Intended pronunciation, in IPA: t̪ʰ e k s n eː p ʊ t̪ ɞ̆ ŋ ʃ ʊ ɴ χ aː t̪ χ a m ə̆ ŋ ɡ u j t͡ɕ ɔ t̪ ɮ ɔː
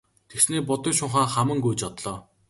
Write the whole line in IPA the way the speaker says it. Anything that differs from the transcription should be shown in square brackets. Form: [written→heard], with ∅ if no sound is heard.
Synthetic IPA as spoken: t̪ʰ e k s n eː p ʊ t̪ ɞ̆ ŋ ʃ ʊ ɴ χ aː [t̪→∅] χ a m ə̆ ŋ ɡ u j t͡ɕ ɔ t̪ ɮ ɔː